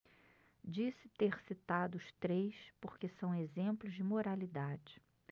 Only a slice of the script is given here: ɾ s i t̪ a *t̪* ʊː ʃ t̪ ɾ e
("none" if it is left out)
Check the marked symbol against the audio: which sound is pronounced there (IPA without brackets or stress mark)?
d̪